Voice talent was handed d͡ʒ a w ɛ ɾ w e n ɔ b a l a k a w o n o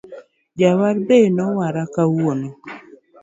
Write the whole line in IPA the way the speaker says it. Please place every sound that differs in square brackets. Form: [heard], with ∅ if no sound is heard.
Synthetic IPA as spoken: d͡ʒ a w [a] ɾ [b] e n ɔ [w] a [ɾ] a k a w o n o